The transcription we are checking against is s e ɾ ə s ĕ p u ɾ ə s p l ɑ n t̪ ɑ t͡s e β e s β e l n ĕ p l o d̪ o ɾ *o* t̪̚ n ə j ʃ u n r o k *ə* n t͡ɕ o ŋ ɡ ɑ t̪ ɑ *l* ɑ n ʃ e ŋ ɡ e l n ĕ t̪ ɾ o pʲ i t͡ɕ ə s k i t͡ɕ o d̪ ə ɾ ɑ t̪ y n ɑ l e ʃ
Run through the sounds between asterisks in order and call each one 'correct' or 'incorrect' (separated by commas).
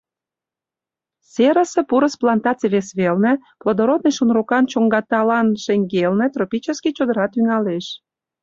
correct, incorrect, correct